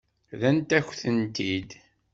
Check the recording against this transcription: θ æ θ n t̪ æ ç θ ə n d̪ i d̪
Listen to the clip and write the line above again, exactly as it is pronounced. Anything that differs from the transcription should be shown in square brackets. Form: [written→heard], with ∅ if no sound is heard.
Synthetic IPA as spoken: [θ→ð] æ [θ→∅] n t̪ æ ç θ ə n [d̪→t̪] i d̪